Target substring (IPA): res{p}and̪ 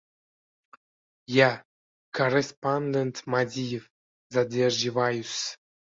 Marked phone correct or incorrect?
correct